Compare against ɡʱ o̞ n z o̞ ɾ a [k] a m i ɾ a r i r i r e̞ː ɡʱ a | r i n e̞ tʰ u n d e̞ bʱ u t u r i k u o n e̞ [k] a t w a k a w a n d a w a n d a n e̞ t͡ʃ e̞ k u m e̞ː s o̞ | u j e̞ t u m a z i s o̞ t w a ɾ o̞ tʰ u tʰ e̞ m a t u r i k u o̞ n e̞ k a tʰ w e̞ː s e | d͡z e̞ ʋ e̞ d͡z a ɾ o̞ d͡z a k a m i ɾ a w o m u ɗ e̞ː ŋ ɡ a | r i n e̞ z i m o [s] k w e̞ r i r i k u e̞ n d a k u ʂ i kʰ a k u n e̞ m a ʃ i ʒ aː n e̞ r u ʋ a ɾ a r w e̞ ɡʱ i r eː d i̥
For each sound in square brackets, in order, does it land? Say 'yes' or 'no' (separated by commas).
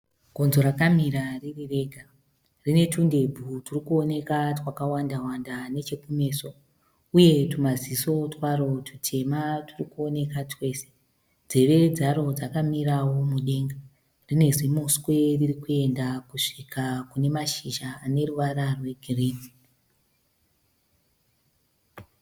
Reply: yes, yes, yes